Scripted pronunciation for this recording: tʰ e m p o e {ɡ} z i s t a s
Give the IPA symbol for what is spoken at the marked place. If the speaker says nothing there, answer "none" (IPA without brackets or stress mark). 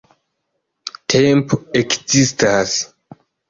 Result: k